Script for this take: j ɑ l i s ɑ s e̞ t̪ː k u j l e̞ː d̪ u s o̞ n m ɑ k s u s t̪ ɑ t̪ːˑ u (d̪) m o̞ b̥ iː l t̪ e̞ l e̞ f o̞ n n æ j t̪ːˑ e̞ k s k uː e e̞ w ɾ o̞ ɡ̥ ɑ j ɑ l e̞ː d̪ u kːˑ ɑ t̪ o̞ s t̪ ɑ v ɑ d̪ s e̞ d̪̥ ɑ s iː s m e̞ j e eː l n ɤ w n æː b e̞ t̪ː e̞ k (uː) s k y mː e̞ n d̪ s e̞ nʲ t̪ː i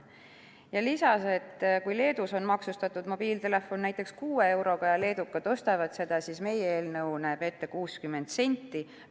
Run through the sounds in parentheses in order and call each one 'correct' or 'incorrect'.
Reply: correct, correct

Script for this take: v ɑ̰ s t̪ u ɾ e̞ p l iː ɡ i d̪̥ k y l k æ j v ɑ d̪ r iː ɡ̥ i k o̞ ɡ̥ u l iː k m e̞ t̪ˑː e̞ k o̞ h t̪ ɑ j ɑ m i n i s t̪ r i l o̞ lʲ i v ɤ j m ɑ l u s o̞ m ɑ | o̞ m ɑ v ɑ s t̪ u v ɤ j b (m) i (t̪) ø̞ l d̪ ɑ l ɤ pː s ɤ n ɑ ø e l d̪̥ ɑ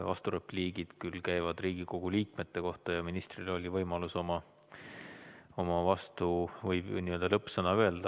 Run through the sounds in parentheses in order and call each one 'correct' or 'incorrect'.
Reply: incorrect: n, incorrect: none

